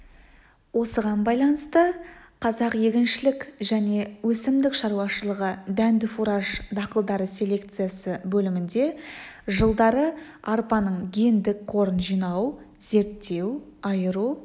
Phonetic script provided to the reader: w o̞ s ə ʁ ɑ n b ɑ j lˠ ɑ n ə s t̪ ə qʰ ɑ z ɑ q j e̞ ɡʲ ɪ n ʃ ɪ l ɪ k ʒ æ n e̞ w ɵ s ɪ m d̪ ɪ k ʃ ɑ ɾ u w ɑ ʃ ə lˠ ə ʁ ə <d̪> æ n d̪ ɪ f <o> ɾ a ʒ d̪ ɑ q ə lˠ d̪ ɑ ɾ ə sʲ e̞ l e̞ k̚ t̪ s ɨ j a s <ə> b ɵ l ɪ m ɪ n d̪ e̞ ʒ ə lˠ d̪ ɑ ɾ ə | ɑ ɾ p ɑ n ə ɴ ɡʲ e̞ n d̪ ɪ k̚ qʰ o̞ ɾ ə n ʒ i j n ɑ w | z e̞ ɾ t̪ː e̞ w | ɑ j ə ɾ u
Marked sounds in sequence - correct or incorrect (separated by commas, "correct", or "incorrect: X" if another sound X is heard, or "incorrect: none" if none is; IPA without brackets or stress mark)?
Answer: correct, incorrect: u, correct